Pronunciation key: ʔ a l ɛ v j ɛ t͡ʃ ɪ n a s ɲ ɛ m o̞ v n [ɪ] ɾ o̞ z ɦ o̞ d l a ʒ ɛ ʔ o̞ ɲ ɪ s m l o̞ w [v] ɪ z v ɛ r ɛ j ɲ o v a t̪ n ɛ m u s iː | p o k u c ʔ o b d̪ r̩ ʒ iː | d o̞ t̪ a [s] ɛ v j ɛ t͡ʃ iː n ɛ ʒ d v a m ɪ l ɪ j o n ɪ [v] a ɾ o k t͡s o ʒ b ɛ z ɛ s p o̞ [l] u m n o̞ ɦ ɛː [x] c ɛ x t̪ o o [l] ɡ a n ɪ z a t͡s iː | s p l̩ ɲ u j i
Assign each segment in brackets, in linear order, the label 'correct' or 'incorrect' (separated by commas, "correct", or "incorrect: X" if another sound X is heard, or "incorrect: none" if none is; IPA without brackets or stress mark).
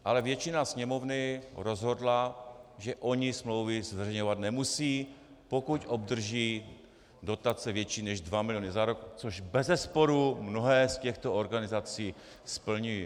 correct, correct, incorrect: t͡s, incorrect: z, incorrect: ɾ, incorrect: s, incorrect: ɾ